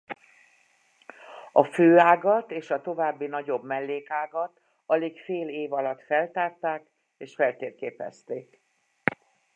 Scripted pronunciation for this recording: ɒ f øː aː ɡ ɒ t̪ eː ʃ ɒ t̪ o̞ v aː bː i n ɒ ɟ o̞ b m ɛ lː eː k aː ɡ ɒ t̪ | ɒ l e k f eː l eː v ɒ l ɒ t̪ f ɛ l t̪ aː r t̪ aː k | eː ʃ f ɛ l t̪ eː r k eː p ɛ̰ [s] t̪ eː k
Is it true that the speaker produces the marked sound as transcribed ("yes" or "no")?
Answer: yes